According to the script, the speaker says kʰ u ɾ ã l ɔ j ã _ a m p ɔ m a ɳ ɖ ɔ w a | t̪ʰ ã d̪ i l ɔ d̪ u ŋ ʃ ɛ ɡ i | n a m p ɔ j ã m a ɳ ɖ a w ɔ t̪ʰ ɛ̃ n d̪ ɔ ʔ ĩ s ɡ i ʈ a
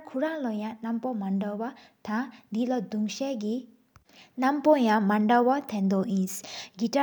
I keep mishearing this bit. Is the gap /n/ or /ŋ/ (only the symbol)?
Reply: n